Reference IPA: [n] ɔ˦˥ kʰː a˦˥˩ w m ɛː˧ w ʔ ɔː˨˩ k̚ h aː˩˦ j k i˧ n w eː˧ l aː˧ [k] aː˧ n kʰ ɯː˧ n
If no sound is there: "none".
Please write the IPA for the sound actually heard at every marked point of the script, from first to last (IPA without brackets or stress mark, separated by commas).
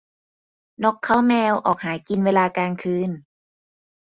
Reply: n, k